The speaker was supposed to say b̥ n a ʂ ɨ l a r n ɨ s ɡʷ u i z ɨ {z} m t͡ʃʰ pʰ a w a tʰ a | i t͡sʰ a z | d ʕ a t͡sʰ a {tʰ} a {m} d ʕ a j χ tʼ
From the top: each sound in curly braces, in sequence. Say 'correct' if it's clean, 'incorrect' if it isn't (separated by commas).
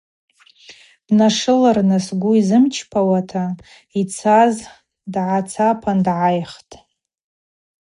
incorrect, incorrect, incorrect